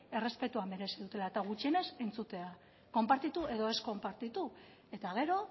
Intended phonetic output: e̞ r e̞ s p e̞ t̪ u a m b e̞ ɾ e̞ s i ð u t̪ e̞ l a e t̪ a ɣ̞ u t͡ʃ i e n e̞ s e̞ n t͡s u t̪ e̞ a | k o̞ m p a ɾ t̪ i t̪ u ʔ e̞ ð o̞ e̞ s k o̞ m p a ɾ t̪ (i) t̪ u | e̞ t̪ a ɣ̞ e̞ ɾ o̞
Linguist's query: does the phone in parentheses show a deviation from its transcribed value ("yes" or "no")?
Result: no